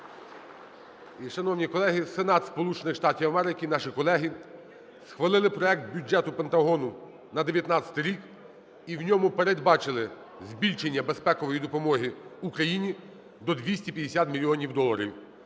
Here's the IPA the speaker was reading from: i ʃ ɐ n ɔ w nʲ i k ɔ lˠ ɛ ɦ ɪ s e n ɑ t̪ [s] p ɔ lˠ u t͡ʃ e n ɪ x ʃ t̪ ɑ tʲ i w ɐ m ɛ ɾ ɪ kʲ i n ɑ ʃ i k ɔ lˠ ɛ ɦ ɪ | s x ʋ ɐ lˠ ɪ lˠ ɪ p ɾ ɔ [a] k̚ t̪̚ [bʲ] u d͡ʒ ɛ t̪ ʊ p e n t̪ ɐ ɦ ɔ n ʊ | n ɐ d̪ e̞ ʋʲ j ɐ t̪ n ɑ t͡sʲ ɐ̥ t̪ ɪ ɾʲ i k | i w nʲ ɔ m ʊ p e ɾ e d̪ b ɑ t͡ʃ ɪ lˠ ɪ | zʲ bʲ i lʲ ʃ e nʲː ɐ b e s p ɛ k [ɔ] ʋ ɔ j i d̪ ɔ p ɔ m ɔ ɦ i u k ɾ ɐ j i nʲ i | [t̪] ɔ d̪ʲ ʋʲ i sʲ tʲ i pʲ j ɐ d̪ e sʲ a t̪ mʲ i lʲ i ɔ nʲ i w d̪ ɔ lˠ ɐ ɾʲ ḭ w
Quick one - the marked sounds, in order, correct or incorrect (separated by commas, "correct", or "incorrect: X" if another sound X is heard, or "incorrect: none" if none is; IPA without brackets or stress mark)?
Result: correct, incorrect: ɛ, correct, correct, incorrect: d̪